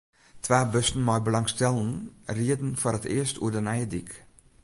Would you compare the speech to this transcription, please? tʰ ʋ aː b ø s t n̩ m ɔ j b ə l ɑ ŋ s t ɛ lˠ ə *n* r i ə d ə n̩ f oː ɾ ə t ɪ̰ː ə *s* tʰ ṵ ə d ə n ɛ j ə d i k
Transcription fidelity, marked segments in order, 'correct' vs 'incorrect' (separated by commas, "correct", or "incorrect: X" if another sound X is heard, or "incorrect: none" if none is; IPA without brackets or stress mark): correct, correct